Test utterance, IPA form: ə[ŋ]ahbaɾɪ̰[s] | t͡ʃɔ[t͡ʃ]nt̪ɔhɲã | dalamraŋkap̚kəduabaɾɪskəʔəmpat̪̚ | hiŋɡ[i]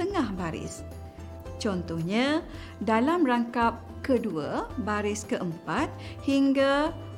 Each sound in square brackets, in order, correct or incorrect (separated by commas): correct, correct, incorrect, incorrect